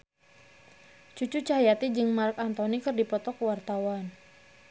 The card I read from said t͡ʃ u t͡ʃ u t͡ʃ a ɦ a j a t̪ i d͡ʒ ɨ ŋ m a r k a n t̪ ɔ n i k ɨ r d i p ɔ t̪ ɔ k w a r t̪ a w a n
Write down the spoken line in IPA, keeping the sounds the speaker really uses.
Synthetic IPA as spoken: t͡ʃ u t͡ʃ u t͡ʃ a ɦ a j a t̪ i d͡ʒ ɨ ŋ m a r k a n t̪ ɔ n i k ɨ r d i p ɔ t̪ ɔ k w a r t̪ a w a n